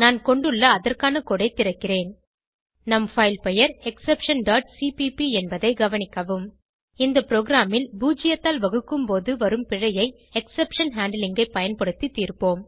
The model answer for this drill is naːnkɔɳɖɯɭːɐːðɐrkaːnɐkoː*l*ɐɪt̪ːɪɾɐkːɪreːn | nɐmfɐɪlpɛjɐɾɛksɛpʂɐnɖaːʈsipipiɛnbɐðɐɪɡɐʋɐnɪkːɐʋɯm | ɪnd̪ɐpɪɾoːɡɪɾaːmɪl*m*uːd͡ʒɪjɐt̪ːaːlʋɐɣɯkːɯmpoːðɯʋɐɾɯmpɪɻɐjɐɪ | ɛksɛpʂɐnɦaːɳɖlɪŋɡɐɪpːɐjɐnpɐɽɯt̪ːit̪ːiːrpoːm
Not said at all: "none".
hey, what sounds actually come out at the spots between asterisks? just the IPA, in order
ɽ, b

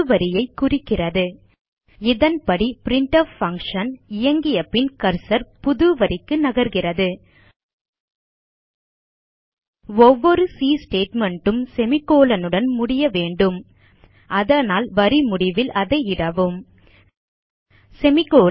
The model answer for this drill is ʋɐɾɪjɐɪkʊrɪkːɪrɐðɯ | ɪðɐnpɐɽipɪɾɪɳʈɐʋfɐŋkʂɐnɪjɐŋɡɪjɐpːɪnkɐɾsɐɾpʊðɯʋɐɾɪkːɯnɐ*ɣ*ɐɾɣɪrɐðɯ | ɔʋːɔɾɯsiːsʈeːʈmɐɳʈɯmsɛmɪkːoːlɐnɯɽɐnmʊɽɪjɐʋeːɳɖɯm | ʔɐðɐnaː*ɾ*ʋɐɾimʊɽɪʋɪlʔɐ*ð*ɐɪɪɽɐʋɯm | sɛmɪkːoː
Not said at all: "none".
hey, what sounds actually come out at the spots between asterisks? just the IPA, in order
ɣ, l, ð

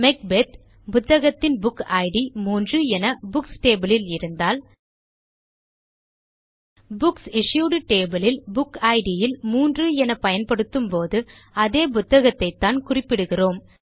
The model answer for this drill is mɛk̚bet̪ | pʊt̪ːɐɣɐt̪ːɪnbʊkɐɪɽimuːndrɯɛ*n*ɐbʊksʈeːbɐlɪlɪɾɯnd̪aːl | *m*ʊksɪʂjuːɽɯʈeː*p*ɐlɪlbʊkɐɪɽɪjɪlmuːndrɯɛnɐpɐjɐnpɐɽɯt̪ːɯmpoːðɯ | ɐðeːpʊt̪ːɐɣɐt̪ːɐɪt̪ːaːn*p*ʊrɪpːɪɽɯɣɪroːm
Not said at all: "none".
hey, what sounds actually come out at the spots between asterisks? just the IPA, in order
n, b, b, k

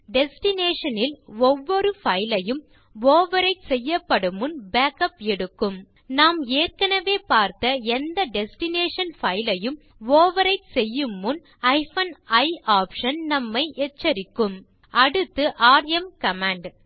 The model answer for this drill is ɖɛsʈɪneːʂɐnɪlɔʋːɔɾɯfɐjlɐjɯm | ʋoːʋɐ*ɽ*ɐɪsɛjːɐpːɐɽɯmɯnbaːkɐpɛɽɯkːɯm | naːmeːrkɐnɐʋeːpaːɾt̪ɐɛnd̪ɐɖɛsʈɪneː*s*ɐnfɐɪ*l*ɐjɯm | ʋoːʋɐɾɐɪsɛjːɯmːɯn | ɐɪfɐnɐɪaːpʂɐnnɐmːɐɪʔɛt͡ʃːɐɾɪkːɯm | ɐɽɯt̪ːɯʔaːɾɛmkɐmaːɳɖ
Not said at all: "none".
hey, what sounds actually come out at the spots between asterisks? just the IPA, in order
ɾ, ʂ, l

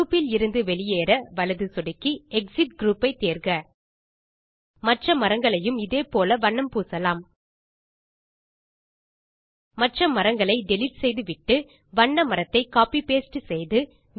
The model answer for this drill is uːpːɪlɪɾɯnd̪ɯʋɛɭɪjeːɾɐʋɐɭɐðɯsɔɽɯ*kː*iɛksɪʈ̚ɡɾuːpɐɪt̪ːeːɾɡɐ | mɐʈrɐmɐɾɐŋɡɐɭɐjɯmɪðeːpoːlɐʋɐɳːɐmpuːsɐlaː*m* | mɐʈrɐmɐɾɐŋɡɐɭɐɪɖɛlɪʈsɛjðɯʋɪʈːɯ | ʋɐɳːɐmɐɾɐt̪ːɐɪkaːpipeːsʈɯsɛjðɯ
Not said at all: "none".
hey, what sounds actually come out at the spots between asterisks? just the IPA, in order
kː, m

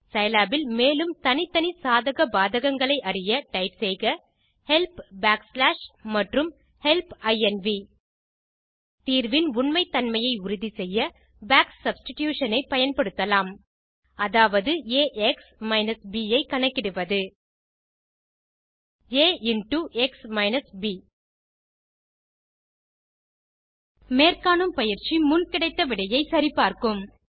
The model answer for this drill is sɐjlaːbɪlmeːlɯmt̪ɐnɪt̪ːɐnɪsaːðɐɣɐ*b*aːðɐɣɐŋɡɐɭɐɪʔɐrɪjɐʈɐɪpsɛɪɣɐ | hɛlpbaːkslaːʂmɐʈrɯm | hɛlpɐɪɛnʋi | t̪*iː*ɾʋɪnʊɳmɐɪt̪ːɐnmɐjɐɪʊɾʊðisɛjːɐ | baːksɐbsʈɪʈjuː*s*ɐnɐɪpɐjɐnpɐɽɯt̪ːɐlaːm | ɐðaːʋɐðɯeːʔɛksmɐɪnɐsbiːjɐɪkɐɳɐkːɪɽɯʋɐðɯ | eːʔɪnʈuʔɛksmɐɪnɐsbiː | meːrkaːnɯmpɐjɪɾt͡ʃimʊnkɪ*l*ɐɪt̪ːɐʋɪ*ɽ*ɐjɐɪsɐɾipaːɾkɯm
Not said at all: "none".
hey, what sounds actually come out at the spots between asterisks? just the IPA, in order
b, iː, ʂ, ɽ, ɽ

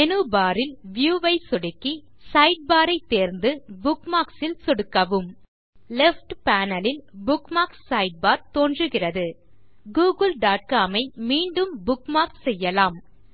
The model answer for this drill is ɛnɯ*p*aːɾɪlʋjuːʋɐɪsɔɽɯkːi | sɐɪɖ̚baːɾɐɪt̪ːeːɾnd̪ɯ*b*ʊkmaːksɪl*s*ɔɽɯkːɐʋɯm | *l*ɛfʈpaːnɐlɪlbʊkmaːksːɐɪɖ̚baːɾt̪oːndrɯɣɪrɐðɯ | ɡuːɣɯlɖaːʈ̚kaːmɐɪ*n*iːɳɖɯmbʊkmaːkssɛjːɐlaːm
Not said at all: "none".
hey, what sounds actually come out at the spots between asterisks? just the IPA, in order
b, b, s, l, m

